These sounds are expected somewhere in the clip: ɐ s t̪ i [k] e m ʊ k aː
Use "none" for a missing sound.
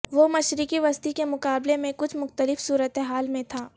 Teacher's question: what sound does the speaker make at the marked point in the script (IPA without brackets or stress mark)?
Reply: k